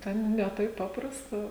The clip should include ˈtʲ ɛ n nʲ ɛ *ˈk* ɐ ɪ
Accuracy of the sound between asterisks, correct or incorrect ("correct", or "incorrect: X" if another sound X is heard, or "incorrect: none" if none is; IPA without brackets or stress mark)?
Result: incorrect: t